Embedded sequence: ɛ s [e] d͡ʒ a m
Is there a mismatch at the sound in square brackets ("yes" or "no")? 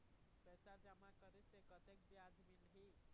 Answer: yes